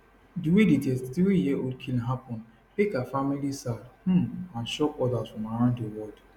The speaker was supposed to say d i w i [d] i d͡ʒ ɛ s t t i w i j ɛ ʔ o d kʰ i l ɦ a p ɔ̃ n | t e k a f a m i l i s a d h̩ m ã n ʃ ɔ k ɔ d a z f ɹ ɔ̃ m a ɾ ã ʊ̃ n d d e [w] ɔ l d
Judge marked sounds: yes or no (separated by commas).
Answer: yes, yes